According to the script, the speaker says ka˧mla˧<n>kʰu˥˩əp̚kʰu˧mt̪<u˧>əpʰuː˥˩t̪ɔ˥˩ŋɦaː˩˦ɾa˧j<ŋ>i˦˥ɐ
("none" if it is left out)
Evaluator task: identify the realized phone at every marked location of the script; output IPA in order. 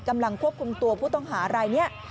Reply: ŋ, u˧, n

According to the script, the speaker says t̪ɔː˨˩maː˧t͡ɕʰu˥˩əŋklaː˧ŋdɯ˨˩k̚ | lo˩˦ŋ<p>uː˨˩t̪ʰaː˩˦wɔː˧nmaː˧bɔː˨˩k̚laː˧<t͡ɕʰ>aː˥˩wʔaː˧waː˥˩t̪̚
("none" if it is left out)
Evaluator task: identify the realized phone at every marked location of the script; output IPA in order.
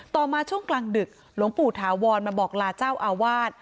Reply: p, t͡ɕ

